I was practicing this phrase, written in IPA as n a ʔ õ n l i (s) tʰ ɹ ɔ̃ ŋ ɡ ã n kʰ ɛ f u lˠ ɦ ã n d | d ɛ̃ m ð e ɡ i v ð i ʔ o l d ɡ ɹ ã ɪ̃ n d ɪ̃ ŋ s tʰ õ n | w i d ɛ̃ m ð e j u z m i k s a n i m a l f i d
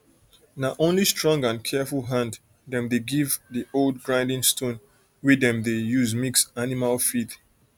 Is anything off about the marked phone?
no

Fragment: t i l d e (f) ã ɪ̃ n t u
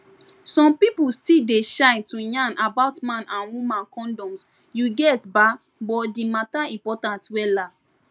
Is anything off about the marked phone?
yes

